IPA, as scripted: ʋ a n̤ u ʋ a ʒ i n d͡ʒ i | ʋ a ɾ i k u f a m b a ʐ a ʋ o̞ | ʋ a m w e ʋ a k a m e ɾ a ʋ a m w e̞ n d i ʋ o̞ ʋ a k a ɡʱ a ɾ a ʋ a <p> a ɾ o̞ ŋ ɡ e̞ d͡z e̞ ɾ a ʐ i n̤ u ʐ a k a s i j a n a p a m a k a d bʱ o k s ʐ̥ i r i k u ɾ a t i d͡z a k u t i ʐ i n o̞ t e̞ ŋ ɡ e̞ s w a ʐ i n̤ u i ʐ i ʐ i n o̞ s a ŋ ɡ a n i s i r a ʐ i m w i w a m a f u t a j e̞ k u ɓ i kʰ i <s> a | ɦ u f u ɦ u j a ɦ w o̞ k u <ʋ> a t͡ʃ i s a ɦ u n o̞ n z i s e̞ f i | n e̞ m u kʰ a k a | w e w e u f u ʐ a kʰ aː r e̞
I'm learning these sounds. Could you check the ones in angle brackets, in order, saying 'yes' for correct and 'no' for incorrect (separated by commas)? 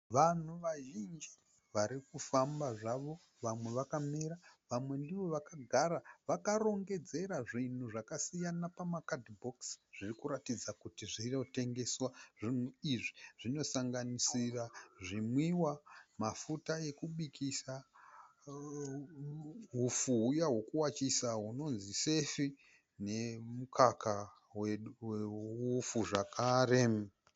no, yes, no